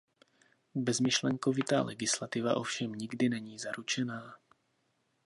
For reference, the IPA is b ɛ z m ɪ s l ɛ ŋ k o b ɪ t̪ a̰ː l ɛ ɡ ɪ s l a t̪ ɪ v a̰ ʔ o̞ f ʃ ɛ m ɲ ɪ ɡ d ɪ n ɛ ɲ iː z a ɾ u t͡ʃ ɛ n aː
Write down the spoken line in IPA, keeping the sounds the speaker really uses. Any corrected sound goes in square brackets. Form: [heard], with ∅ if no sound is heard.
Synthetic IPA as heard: b ɛ z m ɪ [ʃ] l ɛ ŋ k o [v] ɪ t̪ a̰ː l ɛ ɡ ɪ s l a t̪ ɪ v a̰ ʔ o̞ f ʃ ɛ m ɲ ɪ ɡ d ɪ n ɛ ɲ iː z a ɾ u t͡ʃ ɛ n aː